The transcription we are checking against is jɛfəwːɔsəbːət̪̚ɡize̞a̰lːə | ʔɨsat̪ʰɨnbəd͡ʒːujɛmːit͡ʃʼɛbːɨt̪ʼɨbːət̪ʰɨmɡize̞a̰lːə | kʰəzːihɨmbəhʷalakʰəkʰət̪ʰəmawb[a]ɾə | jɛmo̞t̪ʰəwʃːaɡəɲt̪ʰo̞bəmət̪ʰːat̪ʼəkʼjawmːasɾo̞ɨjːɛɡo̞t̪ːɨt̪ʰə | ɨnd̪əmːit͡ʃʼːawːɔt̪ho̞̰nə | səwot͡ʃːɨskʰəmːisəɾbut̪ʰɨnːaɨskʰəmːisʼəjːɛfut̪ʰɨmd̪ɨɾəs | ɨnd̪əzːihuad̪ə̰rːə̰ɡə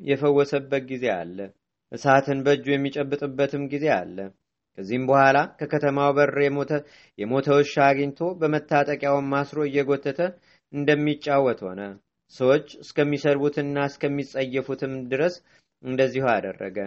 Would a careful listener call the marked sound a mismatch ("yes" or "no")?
yes